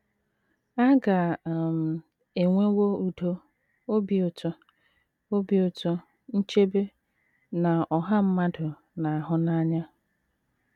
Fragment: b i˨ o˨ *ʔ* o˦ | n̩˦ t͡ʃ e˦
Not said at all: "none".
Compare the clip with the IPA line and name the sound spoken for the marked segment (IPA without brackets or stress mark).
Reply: t